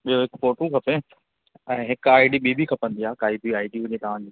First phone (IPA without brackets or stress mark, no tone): ɓ